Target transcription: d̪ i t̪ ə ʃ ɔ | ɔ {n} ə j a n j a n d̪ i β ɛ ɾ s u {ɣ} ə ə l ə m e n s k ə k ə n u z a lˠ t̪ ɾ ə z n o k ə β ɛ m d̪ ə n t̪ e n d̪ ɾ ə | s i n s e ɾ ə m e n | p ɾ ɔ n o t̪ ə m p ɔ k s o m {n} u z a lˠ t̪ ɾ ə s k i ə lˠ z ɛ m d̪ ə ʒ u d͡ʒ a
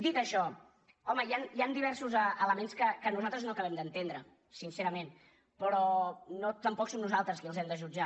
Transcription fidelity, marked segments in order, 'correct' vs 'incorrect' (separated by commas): incorrect, incorrect, correct